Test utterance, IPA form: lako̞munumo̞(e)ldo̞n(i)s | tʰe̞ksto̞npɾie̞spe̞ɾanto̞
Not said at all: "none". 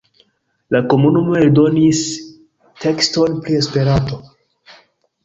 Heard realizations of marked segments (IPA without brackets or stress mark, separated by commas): e, i